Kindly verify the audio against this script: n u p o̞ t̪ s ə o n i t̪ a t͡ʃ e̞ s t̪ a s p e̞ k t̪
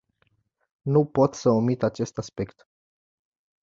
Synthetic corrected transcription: n u p o̞ t̪ s ə o m i t̪ a t͡ʃ e̞ s t̪ a s p e̞ k t̪